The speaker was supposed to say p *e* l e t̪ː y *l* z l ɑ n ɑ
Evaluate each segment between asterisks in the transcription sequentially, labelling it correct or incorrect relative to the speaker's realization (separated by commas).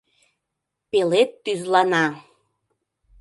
correct, incorrect